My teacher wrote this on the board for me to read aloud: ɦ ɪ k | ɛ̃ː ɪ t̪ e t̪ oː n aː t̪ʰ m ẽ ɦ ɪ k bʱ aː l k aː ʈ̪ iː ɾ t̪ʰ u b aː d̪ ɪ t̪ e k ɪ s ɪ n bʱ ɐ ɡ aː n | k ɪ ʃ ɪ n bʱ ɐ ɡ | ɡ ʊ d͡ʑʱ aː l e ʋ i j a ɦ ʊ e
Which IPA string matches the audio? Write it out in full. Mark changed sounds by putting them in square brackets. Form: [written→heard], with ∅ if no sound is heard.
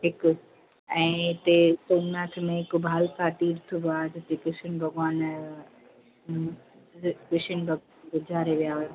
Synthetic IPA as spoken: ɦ ɪ k | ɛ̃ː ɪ t̪ e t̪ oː n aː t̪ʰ m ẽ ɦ ɪ k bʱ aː l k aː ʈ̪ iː ɾ t̪ʰ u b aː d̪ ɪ t̪ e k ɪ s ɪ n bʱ ɐ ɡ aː n | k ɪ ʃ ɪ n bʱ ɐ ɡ | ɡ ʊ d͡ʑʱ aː [l→ɾ] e ʋ i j a ɦ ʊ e